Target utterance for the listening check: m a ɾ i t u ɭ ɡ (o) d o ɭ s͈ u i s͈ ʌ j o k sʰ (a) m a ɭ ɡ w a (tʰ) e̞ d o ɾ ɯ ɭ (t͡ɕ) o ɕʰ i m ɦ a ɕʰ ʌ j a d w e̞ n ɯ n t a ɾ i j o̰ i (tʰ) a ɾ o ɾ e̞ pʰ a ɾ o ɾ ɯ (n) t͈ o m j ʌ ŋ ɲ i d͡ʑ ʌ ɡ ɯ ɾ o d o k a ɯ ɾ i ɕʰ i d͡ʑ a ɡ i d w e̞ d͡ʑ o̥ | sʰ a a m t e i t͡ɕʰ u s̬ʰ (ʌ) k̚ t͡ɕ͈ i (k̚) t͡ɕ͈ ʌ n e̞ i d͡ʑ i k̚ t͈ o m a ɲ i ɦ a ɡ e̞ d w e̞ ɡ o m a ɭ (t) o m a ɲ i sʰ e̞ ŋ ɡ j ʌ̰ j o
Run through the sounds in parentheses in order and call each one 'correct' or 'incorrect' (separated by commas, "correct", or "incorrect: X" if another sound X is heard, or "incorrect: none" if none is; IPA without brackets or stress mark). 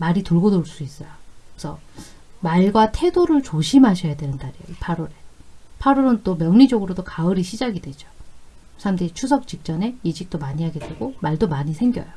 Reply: correct, incorrect: ʌ, correct, correct, incorrect: pʰ, correct, correct, correct, incorrect: d